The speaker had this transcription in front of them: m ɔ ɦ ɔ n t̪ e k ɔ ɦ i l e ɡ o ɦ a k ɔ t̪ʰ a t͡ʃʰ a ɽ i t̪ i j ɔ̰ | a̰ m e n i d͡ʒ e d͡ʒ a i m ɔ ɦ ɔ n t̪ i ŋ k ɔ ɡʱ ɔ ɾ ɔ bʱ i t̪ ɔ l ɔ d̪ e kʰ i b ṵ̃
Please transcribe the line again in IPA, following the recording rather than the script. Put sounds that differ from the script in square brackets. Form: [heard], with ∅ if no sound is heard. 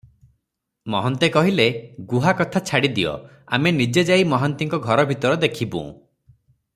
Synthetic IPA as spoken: m ɔ ɦ ɔ n t̪ e k ɔ ɦ i l e ɡ [u] ɦ a k ɔ t̪ʰ a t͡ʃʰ a ɽ i [d̪] i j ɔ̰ | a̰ m e n i d͡ʒ e d͡ʒ a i m ɔ ɦ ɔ n t̪ i ŋ k ɔ ɡʱ ɔ ɾ ɔ bʱ i t̪ ɔ [ɾ] ɔ d̪ e kʰ i b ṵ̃